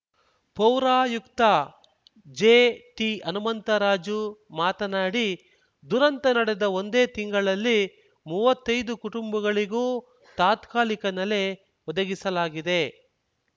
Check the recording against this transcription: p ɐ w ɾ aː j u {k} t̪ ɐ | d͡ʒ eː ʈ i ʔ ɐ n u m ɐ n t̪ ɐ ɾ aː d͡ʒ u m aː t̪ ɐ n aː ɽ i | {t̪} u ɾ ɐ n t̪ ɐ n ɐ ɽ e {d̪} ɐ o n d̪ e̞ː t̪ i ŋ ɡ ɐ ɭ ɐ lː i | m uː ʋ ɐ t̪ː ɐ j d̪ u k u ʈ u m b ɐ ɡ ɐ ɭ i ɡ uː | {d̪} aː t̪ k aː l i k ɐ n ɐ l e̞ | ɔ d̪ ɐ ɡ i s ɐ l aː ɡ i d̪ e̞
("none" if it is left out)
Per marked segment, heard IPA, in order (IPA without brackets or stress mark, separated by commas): k, d̪, d̪, t̪